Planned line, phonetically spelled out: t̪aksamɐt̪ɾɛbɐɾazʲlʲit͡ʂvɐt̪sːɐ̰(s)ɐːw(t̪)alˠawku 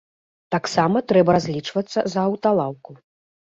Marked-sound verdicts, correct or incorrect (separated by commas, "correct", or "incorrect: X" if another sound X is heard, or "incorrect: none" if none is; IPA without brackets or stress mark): incorrect: z, correct